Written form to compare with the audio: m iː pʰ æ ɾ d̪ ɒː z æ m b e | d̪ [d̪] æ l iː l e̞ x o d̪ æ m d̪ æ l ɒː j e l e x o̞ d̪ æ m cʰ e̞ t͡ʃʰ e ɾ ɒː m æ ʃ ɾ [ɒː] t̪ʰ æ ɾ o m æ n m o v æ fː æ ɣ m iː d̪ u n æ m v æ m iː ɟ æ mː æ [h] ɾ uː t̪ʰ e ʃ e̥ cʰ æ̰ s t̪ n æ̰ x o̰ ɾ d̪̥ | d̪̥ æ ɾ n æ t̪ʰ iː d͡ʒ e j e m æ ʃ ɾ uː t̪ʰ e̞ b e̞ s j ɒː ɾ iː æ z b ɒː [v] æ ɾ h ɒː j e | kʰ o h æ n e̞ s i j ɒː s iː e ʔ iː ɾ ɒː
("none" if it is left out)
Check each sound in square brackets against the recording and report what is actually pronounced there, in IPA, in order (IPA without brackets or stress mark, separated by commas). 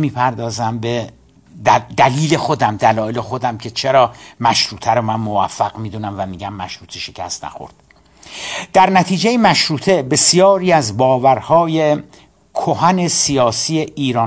d̪, uː, ʃ, v